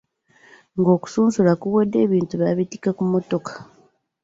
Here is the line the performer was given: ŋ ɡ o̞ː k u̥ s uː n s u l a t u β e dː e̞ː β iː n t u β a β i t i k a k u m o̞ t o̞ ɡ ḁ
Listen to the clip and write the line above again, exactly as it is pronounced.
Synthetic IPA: ŋ ɡ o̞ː k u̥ s uː n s u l a k u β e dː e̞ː β iː n t u β a β i t i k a k u m o̞ t o̞ k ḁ